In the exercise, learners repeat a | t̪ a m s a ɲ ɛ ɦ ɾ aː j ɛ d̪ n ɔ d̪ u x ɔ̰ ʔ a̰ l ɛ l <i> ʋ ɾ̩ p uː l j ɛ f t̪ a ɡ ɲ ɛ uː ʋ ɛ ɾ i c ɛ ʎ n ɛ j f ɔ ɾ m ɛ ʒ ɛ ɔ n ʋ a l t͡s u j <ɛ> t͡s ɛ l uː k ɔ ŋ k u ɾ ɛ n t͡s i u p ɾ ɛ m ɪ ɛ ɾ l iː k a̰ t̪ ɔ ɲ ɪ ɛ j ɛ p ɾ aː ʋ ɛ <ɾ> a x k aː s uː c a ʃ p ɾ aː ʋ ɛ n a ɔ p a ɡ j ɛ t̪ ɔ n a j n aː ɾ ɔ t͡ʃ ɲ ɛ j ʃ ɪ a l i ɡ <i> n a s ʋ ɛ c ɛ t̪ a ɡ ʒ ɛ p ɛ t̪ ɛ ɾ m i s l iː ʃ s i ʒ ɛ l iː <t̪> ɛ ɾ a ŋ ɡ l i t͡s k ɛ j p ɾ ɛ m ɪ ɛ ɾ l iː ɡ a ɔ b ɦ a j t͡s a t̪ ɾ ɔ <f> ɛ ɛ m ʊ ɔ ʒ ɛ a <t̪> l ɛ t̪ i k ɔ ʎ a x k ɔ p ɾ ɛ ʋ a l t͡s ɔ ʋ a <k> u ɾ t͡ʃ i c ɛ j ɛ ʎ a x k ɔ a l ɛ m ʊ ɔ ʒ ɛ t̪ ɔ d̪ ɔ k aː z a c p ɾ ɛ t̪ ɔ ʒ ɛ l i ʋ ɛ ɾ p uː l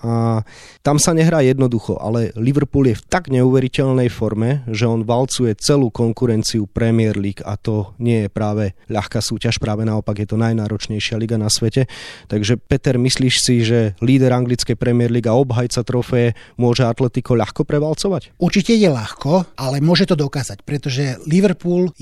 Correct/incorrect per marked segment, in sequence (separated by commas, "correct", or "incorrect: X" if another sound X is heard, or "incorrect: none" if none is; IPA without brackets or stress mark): correct, correct, incorrect: ʎ, incorrect: a, incorrect: d̪, correct, correct, incorrect: c